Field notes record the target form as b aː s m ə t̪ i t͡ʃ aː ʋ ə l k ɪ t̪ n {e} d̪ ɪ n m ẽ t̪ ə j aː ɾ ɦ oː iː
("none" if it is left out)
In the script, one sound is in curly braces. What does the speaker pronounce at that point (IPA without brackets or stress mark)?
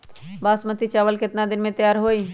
a